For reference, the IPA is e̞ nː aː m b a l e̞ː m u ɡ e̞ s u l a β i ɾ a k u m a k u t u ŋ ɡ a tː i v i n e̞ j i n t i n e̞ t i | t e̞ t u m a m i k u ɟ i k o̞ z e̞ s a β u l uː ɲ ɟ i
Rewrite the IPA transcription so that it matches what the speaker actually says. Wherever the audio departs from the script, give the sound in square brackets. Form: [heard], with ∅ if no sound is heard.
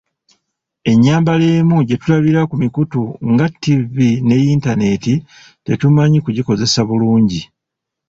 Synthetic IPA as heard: e̞ [ɲː] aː m b a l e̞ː m u [ɟ] e̞ [t] u l a β i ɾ a k u m [i] k u t u ŋ ɡ a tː i v i n e̞ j i n t [a] n e̞ t i | t e̞ t u m a [ɲ] i k u ɟ i k o̞ z e̞ s a β u l uː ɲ ɟ i